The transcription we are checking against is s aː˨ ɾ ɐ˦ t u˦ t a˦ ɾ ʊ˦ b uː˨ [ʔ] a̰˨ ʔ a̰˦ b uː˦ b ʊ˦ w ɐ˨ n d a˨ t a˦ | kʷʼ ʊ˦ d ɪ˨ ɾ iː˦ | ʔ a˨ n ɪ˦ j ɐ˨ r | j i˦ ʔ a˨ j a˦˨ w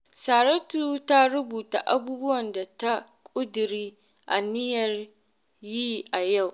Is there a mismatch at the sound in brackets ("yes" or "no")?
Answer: yes